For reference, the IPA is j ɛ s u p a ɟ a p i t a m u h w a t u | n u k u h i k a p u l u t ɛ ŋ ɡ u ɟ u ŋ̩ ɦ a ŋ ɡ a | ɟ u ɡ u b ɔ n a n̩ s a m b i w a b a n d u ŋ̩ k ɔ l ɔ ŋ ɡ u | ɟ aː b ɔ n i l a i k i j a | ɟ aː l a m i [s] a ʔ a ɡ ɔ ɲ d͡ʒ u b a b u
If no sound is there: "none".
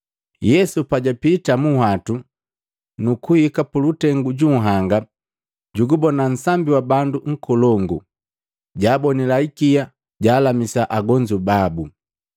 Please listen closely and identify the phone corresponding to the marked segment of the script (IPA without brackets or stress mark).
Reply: s